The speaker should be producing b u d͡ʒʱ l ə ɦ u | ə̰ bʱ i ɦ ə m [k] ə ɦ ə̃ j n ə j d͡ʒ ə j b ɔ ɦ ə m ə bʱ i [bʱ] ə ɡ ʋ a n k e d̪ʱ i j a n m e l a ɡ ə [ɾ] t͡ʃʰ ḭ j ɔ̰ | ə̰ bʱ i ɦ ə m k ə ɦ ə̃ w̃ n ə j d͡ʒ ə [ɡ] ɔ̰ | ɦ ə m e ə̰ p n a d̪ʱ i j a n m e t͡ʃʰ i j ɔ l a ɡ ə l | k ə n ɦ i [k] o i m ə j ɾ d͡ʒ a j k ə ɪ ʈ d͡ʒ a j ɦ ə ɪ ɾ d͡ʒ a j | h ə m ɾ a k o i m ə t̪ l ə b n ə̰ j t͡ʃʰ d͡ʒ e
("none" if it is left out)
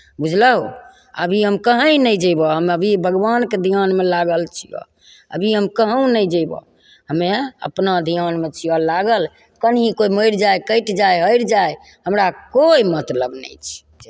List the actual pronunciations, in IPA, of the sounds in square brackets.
k, bʱ, l, b, k

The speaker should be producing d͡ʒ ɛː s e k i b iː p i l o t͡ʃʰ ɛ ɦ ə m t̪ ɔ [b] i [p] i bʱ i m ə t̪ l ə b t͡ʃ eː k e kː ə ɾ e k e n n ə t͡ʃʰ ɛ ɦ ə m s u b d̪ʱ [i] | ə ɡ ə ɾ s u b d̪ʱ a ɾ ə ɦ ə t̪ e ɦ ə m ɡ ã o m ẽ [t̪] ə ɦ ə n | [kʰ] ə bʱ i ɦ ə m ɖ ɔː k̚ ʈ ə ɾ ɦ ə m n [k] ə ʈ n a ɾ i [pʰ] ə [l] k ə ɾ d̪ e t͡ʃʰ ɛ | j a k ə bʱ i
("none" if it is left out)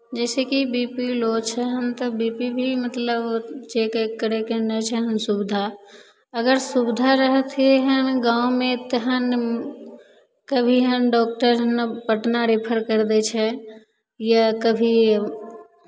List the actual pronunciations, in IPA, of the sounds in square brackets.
b, p, a, t̪, k, p, pʰ, ɾ

